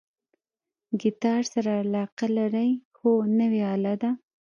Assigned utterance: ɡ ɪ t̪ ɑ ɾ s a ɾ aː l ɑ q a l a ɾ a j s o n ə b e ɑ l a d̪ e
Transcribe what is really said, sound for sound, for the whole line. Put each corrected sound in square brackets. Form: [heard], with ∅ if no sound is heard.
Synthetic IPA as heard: ɡ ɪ t̪ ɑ ɾ s a ɾ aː l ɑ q a l a ɾ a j [x] o n ə [w] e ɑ l a d̪ [a]